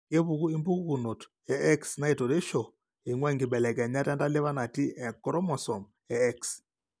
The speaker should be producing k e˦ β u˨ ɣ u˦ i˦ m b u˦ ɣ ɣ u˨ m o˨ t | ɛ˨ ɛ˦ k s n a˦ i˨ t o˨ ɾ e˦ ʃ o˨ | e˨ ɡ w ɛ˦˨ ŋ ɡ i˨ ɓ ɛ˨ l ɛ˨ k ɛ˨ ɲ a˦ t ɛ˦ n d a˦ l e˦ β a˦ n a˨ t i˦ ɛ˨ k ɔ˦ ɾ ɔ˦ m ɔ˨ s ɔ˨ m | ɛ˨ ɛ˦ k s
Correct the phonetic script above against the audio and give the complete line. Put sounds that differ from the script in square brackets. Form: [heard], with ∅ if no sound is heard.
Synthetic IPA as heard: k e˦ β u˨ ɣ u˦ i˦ m b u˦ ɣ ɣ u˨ [n] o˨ t | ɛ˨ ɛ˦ k s n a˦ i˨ t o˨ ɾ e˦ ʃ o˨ | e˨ [ŋ] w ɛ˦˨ ŋ ɡ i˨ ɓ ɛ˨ l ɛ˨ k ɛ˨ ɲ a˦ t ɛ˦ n d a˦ l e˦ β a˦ n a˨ t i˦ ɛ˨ k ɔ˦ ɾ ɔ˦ m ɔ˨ s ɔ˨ m | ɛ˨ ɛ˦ k s